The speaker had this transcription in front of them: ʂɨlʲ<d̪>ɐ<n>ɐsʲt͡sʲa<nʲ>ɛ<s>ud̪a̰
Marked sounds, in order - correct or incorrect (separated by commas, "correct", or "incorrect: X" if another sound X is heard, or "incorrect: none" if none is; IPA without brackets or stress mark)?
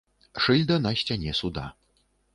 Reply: correct, correct, correct, correct